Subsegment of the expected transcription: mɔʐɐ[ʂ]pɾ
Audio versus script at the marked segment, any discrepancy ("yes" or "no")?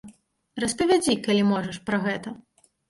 no